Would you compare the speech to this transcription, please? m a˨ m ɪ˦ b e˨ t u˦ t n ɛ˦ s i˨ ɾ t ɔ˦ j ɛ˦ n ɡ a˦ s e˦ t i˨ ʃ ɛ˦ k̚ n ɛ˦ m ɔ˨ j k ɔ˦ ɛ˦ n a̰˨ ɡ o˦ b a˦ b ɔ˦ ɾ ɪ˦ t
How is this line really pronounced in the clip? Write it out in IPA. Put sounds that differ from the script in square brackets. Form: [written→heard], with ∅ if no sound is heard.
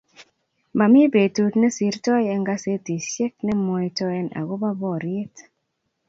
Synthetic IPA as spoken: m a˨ m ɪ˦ b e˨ t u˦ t n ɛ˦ s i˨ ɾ t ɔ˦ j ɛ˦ [n→ŋ] ɡ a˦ s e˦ t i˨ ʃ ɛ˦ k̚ n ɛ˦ m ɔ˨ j [k→t] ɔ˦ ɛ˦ n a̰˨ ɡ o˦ b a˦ b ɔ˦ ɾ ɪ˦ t